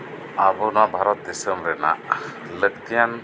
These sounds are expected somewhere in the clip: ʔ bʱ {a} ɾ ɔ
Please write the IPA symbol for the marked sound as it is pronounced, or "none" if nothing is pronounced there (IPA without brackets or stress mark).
a